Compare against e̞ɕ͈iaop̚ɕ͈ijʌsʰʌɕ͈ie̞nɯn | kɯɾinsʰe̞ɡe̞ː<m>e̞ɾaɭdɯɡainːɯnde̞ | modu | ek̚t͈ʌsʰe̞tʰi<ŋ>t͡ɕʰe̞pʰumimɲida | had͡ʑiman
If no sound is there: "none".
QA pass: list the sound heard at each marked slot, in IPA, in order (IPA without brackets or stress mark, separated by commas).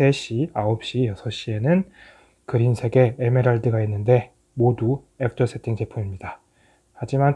m, ŋ